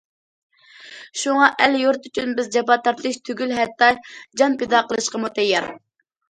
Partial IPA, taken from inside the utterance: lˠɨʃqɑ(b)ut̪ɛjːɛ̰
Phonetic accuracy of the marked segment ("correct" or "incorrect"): incorrect